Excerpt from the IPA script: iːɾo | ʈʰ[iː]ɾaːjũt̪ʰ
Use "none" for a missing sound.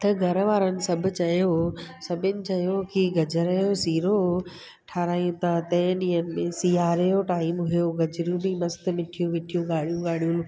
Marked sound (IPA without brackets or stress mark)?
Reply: aː